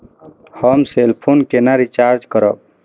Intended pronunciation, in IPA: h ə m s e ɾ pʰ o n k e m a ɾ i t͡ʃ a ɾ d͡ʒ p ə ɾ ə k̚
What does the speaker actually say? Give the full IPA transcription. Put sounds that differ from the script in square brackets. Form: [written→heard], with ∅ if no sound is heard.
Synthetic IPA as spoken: h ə m s e [ɾ→l] pʰ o n k e [m→n] a ɾ i t͡ʃ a ɾ d͡ʒ [p→k] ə ɾ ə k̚